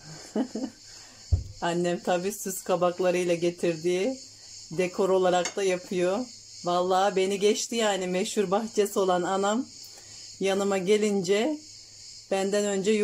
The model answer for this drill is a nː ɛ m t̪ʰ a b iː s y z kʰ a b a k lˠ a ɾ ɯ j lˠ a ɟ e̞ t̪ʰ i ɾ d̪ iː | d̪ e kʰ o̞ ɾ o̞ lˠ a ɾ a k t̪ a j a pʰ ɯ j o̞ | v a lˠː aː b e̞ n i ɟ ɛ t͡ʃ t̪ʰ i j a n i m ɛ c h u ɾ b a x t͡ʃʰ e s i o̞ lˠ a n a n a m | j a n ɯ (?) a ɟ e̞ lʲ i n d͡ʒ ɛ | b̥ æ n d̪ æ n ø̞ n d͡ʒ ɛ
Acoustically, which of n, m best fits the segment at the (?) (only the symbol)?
m